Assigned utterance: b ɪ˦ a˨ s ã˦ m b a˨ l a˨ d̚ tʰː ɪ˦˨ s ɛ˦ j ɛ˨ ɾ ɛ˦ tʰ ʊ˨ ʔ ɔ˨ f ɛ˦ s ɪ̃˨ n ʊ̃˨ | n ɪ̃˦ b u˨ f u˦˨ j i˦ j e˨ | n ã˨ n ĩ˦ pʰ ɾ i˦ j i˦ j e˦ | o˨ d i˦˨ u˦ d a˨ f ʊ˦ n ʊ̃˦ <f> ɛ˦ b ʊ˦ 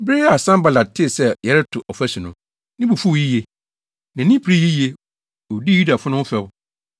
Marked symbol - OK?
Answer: yes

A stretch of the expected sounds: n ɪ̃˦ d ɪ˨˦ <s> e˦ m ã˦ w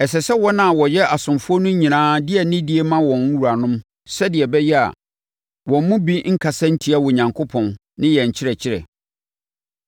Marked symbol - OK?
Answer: no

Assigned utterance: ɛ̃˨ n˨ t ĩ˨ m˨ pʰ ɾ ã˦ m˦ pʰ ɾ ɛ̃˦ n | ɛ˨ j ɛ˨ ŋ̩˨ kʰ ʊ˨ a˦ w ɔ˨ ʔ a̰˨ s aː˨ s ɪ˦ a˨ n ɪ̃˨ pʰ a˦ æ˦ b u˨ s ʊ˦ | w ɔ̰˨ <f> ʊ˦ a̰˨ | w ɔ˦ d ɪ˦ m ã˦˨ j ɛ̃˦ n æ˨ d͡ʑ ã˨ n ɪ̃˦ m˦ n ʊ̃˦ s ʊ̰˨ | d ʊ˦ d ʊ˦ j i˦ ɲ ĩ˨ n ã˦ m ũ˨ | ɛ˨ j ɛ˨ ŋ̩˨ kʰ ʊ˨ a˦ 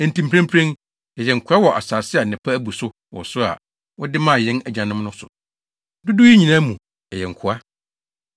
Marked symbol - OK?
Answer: no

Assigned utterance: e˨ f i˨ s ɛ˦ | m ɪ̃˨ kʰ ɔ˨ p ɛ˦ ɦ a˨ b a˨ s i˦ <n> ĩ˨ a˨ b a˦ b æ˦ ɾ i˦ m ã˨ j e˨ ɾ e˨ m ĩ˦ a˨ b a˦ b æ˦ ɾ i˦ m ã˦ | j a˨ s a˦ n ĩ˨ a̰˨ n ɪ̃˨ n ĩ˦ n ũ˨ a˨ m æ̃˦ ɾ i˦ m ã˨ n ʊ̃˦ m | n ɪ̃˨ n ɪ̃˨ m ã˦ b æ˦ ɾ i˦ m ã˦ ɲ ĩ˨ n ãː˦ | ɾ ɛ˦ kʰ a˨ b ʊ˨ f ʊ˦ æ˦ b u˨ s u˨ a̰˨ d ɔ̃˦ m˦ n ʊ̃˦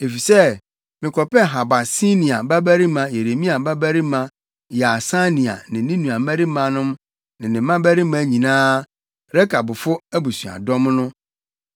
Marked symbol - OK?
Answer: yes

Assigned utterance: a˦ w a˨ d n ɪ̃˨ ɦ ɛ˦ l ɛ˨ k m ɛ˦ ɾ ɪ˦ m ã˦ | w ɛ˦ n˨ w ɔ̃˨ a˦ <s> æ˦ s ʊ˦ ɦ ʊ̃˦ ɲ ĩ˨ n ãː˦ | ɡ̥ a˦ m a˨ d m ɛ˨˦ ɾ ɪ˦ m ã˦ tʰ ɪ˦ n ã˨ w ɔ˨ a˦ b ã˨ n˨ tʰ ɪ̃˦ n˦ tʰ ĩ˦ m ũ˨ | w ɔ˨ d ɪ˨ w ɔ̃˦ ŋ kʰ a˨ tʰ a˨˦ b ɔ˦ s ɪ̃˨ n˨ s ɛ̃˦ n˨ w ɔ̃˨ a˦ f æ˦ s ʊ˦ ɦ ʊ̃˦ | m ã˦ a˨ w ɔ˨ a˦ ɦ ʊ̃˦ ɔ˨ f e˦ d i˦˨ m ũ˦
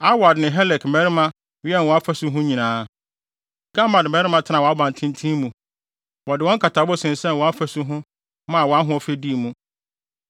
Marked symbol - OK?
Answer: no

